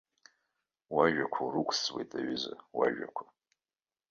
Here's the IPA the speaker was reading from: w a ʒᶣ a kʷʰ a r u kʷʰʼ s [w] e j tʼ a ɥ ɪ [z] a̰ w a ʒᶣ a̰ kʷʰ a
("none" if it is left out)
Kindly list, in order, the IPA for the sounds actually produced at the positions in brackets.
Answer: w, z

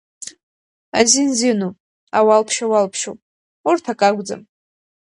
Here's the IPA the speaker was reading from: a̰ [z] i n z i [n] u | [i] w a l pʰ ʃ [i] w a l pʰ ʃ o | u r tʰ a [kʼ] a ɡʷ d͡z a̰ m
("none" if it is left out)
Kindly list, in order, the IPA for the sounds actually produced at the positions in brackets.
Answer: z, n, a, a, kʼ

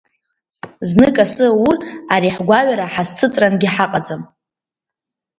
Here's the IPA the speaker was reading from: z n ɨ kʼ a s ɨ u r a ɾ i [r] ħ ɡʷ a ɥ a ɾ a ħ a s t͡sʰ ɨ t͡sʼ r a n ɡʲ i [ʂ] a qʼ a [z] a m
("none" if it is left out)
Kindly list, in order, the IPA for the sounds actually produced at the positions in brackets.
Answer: none, ħ, d͡z

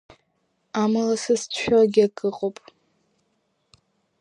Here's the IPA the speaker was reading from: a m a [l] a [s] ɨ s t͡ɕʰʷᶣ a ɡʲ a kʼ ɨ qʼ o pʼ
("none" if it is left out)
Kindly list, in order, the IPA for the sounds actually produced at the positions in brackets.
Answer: l, s

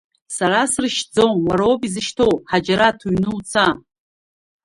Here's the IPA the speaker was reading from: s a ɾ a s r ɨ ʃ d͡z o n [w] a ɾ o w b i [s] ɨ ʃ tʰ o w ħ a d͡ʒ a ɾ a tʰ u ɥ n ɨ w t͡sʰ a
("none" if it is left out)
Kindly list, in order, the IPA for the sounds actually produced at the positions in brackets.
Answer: w, z

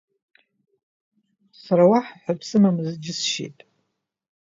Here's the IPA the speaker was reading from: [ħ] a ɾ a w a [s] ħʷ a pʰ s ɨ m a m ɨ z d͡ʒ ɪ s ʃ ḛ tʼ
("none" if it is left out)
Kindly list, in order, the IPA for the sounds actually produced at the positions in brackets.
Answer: s, ħ

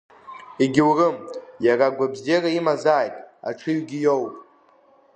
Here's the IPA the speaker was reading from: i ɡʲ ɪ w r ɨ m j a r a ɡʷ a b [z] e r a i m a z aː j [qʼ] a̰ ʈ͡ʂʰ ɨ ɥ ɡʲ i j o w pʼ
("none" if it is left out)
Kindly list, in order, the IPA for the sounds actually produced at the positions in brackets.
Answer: z, tʼ

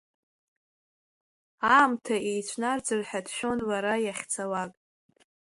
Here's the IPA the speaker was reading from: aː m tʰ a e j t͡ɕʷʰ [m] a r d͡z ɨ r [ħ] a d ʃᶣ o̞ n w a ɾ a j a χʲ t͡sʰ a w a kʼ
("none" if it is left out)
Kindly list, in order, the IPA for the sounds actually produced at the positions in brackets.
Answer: n, ħ

